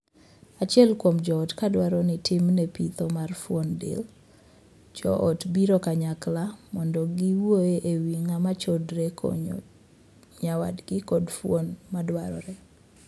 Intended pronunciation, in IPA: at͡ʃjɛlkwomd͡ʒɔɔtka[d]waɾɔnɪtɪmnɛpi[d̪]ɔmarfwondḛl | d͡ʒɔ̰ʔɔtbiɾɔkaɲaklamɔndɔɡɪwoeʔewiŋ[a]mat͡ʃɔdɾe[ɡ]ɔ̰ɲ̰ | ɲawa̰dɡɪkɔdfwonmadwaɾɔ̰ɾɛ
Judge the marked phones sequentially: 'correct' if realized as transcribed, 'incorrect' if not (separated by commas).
correct, incorrect, correct, incorrect